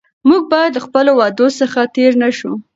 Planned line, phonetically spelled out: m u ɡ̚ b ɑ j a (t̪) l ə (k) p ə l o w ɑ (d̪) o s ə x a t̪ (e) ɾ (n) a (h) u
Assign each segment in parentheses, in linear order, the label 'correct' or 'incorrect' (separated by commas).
incorrect, incorrect, correct, correct, correct, incorrect